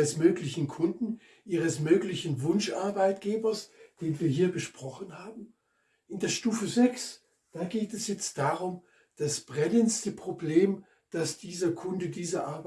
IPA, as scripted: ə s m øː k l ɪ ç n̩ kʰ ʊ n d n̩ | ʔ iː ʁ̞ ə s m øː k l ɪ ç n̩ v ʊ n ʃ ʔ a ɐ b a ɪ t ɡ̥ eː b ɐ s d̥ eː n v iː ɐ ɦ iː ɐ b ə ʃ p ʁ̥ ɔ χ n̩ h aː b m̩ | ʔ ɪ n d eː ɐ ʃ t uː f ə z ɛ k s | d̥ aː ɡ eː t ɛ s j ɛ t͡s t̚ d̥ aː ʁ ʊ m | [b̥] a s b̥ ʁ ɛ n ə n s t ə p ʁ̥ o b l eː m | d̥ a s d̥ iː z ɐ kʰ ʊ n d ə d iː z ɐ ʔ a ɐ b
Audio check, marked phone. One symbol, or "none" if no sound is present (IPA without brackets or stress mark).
d̥